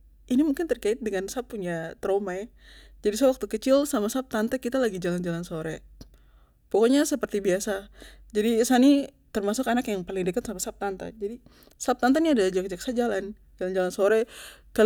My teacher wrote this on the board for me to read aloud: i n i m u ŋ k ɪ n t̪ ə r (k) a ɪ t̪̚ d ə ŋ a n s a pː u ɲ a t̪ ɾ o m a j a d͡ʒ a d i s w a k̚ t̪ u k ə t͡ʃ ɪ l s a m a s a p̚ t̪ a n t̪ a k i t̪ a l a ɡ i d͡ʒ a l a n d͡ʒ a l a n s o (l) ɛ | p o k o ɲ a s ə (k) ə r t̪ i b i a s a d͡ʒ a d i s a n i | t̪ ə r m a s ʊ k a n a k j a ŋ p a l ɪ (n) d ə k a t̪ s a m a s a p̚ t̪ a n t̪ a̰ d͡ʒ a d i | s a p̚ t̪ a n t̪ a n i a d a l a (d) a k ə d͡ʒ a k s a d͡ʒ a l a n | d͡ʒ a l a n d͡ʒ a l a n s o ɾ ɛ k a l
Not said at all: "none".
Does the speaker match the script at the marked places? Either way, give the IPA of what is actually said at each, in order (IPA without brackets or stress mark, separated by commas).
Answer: k, ɾ, p, ŋ, d͡ʒ